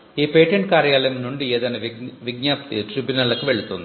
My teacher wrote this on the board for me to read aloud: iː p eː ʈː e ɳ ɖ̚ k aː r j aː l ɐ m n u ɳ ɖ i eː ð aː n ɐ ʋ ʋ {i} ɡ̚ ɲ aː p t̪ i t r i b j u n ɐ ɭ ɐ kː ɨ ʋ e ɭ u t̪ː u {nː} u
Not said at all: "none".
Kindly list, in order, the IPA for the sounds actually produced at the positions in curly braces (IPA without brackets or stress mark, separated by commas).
i, nː